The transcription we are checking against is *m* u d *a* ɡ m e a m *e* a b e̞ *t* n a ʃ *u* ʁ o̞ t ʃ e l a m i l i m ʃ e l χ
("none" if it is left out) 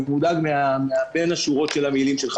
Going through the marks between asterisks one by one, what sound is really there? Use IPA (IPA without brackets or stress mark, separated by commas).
m, a, e, none, u